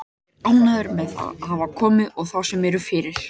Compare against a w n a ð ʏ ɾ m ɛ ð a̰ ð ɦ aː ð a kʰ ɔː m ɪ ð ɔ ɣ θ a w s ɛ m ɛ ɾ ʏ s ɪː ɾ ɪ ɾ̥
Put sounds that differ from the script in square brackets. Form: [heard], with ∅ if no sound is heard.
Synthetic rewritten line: a w n a ð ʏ ɾ m ɛ ð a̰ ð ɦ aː [v] a kʰ ɔː m ɪ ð ɔ ɣ θ a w s ɛ m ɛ ɾ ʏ [f] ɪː ɾ ɪ ɾ̥